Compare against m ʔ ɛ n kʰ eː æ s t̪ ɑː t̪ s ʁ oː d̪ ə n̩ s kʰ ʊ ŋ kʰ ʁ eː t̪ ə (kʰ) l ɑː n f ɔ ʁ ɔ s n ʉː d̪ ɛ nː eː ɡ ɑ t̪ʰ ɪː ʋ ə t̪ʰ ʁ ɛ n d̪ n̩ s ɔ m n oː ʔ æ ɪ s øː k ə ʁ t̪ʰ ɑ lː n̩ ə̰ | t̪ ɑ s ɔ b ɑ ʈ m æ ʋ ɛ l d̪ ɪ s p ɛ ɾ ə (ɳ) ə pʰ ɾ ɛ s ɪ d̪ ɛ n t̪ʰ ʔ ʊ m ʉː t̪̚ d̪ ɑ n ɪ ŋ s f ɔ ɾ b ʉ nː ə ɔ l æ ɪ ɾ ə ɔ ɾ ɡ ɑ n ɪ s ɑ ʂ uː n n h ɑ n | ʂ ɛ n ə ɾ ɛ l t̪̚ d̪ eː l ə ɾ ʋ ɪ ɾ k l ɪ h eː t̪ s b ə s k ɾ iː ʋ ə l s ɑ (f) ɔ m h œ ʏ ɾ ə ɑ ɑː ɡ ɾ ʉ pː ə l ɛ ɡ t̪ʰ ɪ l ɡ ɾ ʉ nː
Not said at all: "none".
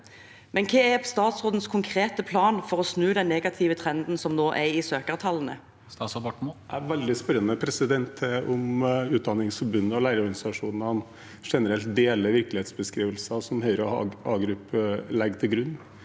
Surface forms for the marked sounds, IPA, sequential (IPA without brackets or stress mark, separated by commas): pʰ, n, s